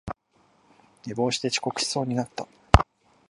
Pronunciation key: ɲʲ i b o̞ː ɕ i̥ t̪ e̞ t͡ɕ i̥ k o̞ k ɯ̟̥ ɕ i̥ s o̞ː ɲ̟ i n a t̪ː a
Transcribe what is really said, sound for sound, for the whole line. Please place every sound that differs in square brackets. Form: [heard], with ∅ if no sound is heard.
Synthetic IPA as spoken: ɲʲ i b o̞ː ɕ i̥ t̪ e̞ t͡ɕ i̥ k o̞ k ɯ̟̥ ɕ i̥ s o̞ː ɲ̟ i n a t̪ː a